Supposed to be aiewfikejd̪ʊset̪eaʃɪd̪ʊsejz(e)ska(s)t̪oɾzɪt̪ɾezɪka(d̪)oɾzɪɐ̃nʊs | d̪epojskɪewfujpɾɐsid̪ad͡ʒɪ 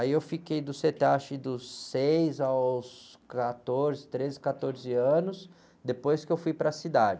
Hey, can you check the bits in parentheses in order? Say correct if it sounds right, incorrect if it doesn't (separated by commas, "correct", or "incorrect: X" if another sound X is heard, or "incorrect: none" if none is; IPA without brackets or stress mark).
incorrect: a, incorrect: none, incorrect: t̪